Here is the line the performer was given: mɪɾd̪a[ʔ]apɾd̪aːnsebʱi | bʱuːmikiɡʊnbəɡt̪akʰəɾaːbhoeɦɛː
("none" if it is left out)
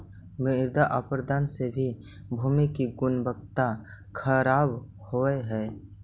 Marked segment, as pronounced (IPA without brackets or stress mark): ʔ